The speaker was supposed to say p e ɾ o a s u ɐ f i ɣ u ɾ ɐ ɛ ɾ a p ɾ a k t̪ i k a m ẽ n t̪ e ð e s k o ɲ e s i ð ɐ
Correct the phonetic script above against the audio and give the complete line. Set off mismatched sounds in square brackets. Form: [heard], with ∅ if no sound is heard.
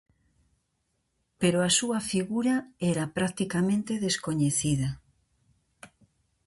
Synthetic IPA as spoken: p e ɾ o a s u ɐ f i ɣ u ɾ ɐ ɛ ɾ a p ɾ a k t̪ i k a m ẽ n t̪ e ð e s k o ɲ e [θ] i ð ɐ